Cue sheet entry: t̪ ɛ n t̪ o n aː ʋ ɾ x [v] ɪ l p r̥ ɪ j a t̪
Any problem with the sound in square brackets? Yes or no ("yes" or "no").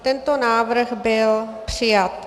yes